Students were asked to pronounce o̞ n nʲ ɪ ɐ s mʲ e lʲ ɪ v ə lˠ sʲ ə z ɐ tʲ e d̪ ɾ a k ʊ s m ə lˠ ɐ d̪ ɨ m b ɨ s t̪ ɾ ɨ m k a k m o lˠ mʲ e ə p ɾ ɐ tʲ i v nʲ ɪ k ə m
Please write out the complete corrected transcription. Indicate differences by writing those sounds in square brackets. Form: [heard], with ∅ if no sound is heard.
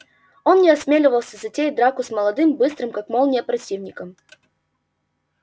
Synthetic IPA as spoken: o̞ n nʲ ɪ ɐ s mʲ e lʲ ɪ v ə lˠ sʲ ə z ɐ tʲ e d̪ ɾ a k ʊ s m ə lˠ ɐ d̪ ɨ m b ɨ s t̪ ɾ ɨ m k a k m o lˠ [nʲ] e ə p ɾ ɐ tʲ i v nʲ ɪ k ə m